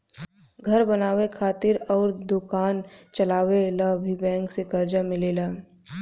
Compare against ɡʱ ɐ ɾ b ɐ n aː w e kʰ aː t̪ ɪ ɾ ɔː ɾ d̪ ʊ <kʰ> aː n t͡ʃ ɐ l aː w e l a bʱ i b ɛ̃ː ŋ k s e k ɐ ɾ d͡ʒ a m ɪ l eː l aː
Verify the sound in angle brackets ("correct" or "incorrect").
incorrect